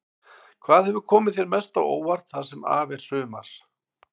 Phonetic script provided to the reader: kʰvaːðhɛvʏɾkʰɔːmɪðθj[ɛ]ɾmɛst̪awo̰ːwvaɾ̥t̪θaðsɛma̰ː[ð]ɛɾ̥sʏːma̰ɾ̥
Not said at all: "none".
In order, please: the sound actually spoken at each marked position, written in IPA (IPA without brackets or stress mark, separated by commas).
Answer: ɛ, v